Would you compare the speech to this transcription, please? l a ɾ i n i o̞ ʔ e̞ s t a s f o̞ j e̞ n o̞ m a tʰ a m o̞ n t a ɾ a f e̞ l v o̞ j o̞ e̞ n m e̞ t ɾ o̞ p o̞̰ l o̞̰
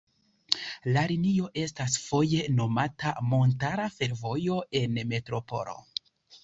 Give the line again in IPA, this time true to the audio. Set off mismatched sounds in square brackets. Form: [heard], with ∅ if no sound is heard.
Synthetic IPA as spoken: l a ɾ i n i o̞ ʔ e̞ s t a s f o̞ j e̞ n o̞ m a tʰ a m o̞ n t a ɾ a f e̞ [ɾ] v o̞ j o̞ e̞ n m e̞ t ɾ o̞ p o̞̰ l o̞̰